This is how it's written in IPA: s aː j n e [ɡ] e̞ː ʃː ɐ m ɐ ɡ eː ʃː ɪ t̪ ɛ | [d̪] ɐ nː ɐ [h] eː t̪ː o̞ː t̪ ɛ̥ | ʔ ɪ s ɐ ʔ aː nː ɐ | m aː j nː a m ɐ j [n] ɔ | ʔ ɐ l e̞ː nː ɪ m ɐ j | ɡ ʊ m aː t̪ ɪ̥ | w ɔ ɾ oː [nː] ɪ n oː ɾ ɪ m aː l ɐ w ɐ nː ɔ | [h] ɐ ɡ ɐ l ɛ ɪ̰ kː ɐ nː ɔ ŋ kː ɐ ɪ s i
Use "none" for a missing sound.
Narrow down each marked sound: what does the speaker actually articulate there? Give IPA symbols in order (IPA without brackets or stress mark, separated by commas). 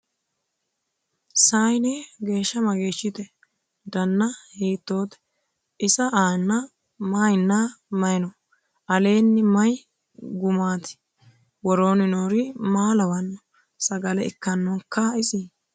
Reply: ɡ, d̪, h, n, n, s